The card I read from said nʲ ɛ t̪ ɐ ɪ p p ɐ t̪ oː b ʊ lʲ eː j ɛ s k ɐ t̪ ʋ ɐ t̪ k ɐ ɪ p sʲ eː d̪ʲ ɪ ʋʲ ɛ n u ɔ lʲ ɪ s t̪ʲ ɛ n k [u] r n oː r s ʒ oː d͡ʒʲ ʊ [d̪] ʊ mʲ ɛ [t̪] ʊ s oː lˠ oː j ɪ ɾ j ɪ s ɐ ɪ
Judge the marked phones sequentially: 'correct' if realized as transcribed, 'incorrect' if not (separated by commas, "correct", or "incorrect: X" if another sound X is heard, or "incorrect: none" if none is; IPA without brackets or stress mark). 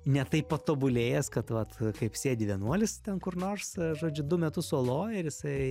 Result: incorrect: ʊ, correct, correct